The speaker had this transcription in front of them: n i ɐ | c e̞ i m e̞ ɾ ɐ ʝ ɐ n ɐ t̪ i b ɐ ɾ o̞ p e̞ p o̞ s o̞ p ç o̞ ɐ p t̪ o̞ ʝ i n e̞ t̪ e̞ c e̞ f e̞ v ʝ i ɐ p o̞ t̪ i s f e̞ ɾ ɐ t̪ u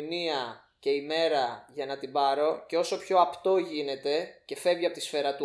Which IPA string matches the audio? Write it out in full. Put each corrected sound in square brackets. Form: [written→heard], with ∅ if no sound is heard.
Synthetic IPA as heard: n i ɐ | c e̞ i m e̞ ɾ ɐ ʝ ɐ n ɐ t̪ i b ɐ ɾ o̞ [p→c] e̞ [p→∅] o̞ s o̞ p ç o̞ ɐ p t̪ o̞ ʝ i n e̞ t̪ e̞ c e̞ f e̞ v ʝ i ɐ p o̞ t̪ i s f e̞ ɾ ɐ t̪ u